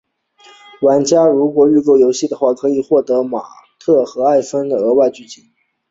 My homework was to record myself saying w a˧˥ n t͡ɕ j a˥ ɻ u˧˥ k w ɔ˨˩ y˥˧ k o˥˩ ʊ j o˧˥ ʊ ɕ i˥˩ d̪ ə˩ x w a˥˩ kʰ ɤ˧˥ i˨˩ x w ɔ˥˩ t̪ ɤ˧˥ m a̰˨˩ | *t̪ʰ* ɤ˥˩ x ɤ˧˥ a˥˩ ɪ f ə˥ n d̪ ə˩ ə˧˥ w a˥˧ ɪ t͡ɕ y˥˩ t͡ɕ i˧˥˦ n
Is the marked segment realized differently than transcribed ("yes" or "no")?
no